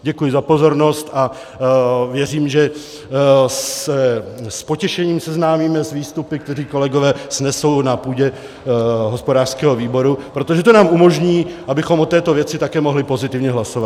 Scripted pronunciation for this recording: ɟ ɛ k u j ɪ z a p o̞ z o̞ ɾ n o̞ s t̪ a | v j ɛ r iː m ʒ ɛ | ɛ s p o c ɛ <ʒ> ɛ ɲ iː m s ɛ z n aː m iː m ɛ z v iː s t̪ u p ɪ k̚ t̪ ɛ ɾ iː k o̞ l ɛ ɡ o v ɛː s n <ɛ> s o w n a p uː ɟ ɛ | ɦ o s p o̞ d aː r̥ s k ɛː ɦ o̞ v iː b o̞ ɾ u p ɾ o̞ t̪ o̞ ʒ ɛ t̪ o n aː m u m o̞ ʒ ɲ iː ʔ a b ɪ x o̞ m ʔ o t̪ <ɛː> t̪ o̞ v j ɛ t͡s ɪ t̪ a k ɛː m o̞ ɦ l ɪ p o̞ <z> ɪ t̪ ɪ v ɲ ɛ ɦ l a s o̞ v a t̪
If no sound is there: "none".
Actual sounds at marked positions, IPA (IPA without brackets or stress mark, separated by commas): ʃ, ɛ, ɛː, z